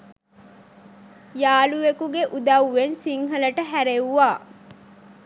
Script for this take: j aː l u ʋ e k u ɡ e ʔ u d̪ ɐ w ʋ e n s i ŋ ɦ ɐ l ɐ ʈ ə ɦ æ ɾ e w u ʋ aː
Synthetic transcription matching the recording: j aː l u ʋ e k u ɡ e ʔ u d̪ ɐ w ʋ e n s i ŋ ɦ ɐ l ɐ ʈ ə ɦ æ ɾ e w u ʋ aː